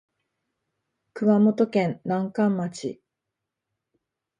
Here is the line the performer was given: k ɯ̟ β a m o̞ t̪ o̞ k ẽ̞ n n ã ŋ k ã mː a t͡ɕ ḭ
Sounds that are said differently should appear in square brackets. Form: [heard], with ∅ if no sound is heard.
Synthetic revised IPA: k ɯ̟ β a m o̞ t̪ o̞ k ẽ̞ n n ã ŋ k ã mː a t͡ɕ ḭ